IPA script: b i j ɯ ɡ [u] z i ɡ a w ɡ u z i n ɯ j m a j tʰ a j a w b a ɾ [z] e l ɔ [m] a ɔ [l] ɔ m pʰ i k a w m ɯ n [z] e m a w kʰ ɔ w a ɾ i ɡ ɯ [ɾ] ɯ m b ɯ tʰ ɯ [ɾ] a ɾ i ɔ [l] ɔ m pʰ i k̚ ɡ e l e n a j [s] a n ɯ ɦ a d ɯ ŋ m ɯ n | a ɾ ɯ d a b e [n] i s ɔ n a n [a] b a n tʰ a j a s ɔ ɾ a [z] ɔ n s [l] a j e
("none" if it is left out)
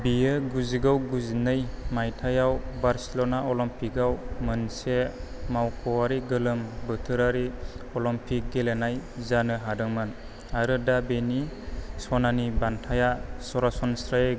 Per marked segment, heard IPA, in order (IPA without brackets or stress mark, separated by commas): u, s, n, l, s, l, ɾ, l, z, n, i, s, ɾ